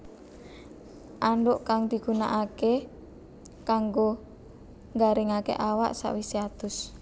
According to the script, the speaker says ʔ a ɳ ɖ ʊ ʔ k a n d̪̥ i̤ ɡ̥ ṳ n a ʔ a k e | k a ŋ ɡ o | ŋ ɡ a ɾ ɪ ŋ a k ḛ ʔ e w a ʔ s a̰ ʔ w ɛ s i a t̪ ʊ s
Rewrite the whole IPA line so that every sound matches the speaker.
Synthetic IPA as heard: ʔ a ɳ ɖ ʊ ʔ k a ŋ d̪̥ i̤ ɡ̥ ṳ n a ʔ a k e | k a ŋ ɡ o | ŋ ɡ a ɾ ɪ ŋ a k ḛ ʔ a w a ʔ s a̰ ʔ w i s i a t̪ ʊ s